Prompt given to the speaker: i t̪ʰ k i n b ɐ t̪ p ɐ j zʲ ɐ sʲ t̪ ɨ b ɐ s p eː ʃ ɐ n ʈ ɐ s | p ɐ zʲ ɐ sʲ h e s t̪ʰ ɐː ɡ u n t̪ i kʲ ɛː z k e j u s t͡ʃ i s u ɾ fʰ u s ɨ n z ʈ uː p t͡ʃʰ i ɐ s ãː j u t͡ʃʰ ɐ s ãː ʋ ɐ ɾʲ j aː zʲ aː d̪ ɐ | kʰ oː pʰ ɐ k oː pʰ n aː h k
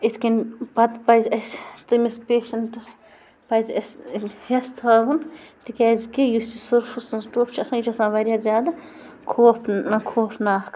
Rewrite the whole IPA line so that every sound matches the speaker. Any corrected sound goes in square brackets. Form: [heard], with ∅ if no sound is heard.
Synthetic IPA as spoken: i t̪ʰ k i n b ɐ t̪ p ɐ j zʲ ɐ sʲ t̪ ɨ [m] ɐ s p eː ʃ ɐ n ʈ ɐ s | p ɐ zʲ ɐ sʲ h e s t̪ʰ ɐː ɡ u n t̪ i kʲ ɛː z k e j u s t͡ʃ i s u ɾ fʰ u s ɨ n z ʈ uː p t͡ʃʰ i ɐ s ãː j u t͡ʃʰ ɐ s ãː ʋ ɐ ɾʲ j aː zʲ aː d̪ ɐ | kʰ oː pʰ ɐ [kʰ] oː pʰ n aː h k